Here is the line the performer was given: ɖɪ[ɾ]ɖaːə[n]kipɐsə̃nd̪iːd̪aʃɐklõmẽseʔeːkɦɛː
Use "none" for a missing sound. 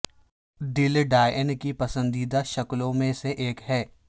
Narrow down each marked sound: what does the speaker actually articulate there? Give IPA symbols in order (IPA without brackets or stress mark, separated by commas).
l, n